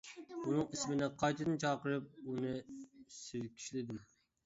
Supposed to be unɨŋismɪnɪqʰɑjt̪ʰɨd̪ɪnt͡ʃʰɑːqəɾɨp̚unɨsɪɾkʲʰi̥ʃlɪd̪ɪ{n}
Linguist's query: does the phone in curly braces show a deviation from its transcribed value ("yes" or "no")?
yes